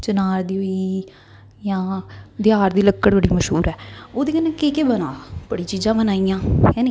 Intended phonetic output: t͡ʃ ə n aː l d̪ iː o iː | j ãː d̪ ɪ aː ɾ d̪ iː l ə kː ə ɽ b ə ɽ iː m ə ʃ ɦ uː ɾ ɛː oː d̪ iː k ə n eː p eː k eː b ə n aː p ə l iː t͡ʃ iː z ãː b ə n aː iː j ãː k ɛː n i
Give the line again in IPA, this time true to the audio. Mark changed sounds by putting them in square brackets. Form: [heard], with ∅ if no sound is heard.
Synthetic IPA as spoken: t͡ʃ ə n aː [ɾ] d̪ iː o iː | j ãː d̪ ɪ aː ɾ d̪ iː l ə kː ə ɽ b ə ɽ iː m ə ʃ ɦ uː ɾ ɛː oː d̪ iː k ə n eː [k] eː k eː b ə n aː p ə [ɽ] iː t͡ʃ iː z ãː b ə n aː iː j ãː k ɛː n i